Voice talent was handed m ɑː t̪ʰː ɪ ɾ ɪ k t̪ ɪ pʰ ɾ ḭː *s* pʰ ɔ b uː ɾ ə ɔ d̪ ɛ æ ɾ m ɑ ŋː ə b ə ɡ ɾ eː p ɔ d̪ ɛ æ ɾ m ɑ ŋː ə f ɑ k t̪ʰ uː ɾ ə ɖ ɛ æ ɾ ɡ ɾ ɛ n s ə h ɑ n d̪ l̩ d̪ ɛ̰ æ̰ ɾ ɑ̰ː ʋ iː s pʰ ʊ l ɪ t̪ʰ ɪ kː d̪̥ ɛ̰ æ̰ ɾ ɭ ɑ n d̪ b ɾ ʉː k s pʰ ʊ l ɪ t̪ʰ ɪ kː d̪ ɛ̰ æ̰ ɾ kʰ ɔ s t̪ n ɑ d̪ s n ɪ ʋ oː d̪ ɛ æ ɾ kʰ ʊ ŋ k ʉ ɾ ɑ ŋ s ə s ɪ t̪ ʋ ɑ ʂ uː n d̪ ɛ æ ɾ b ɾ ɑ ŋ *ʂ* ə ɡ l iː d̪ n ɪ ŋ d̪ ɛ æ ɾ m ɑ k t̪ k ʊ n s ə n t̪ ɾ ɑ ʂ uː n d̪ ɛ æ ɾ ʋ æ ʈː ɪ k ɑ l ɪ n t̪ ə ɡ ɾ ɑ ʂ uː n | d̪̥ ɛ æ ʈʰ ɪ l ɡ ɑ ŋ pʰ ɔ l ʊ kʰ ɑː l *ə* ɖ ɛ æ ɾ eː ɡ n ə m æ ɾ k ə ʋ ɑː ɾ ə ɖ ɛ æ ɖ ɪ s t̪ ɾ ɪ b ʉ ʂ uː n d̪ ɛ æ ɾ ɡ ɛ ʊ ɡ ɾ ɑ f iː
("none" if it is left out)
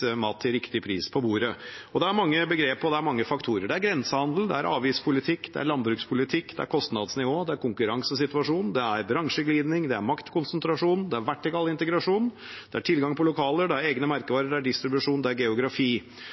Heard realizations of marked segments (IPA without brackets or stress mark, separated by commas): s, ʂ, ə